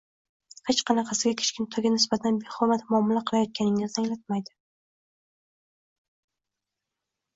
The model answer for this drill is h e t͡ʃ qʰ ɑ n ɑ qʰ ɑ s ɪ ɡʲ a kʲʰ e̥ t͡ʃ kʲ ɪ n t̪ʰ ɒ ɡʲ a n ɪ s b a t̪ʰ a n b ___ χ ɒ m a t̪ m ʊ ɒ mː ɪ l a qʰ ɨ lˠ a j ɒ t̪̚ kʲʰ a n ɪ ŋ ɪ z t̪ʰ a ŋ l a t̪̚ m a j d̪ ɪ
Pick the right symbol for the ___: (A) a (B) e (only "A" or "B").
B